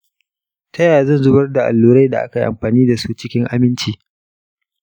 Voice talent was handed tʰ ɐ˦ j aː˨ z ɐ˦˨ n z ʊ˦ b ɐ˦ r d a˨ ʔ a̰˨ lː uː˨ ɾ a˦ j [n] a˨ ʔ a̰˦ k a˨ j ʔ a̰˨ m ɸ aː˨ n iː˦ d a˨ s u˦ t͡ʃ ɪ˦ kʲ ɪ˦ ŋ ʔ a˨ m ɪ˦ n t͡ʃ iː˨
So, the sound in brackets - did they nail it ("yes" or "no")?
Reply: no